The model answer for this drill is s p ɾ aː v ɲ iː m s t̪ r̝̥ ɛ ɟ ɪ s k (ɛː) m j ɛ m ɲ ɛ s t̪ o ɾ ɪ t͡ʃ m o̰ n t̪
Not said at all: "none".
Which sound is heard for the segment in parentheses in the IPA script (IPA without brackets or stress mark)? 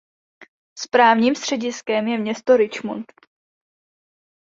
ɛ